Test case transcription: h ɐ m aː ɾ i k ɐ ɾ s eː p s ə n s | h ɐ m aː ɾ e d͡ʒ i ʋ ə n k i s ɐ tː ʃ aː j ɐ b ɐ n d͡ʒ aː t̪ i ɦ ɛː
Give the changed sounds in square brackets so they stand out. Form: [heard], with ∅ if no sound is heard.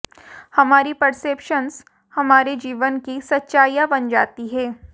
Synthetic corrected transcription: h ɐ m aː ɾ i [p] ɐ ɾ s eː p [ʃ] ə n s | h ɐ m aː ɾ e d͡ʒ [iː] ʋ ə n k i s ɐ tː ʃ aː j [a] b ɐ n d͡ʒ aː t̪ i ɦ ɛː